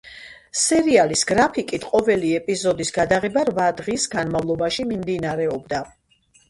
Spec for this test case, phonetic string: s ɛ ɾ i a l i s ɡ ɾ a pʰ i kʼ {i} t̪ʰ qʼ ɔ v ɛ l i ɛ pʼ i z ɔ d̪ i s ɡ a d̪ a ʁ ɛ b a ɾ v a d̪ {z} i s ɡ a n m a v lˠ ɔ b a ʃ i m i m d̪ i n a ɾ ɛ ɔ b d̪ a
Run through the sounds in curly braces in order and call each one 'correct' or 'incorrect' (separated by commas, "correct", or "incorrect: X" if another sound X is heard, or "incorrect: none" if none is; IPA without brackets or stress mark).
correct, incorrect: ʁ